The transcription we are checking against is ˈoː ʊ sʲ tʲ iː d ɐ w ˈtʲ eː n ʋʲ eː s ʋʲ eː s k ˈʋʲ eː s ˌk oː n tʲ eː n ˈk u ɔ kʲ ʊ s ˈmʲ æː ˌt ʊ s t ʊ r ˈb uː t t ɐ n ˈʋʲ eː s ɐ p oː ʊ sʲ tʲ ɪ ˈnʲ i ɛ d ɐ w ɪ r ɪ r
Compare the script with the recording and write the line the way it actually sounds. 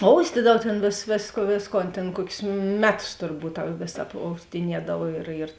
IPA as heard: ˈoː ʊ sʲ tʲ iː d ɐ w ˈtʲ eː n ʋʲ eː s ʋʲ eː s k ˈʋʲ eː s ˌk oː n tʲ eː n ˈk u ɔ kʲ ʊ s ˈmʲ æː ˌt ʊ s t ʊ r ˈb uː t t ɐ ˈʋʲ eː s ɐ p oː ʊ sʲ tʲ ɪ ˈnʲ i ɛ d ɐ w ɪ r ɪ r